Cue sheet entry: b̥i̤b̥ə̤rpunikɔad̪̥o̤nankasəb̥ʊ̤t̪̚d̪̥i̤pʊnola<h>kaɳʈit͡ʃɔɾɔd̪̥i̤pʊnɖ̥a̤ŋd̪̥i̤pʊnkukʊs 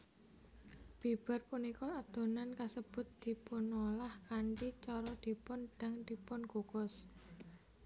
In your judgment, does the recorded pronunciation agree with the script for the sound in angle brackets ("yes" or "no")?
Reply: yes